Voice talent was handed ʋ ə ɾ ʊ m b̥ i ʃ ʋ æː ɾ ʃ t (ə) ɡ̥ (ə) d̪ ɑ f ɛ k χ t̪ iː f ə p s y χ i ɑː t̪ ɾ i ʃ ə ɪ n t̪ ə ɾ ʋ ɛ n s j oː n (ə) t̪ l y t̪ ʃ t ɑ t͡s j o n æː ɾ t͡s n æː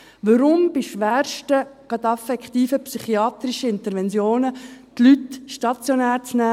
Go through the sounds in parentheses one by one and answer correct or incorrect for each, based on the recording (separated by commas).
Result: correct, incorrect, correct